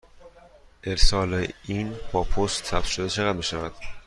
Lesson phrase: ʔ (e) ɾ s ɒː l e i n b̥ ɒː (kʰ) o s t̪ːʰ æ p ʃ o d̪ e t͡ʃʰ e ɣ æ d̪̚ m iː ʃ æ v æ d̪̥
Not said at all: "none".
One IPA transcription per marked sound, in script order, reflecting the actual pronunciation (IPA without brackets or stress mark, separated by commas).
e, pʰ